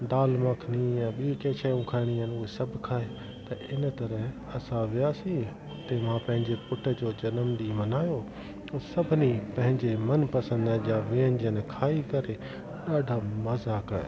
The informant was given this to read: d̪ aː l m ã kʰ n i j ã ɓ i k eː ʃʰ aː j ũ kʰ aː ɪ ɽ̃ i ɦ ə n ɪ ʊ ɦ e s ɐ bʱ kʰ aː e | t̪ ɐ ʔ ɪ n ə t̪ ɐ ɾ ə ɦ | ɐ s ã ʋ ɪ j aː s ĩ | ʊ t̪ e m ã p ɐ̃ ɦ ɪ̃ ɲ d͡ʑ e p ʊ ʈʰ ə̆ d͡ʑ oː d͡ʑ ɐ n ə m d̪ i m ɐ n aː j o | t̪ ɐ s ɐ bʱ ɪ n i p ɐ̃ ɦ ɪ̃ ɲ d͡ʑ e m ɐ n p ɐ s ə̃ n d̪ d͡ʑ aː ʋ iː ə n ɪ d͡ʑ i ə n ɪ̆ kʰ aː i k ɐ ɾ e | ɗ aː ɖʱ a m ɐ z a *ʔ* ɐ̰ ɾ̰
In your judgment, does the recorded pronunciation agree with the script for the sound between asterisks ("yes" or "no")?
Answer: no